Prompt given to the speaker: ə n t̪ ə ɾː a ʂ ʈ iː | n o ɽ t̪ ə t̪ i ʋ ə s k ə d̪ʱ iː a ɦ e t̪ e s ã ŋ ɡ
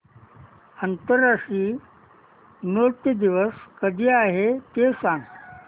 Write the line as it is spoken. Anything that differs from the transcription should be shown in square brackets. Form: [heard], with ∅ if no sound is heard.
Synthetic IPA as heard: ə n t̪ ə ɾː a ʂ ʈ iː | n o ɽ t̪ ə [d̪] i ʋ ə s k ə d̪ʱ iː a ɦ e t̪ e s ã ŋ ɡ